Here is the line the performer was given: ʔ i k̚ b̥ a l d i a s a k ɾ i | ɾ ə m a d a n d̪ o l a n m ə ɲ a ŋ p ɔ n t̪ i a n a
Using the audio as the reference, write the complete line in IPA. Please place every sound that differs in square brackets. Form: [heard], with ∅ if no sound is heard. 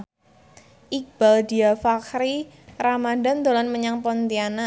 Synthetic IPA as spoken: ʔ i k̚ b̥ a l d i a [f] a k ɾ i | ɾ [a] m a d a n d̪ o l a n m ə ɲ a ŋ p ɔ n t̪ i a n a